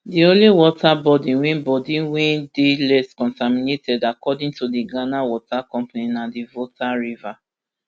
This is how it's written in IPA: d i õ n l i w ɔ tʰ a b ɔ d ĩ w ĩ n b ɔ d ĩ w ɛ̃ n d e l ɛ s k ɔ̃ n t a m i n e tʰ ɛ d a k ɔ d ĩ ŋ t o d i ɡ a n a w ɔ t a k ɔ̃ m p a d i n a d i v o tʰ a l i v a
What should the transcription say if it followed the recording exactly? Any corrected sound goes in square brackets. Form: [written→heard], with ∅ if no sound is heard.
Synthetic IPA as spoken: d i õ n l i w ɔ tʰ a b ɔ d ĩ w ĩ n b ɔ d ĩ w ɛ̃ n d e l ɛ s k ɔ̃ n t a m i n e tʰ ɛ d a k ɔ d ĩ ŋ t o d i ɡ a n a w ɔ t a k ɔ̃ m p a [d→n] i n a d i v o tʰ a [l→ɹ] i v a